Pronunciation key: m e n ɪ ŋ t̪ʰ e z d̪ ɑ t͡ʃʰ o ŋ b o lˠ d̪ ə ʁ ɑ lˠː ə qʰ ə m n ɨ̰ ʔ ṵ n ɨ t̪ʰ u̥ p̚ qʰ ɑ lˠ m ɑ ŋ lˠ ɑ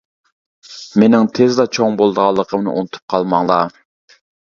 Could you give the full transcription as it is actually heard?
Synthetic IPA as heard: m e n ɪ ŋ t̪ʰ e z d̪ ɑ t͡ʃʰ o ŋ b o lˠ d̪ ə ʁ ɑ lˠː ə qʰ ə m n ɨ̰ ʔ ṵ n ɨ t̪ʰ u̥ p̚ qʰ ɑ lˠ m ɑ ŋ lˠ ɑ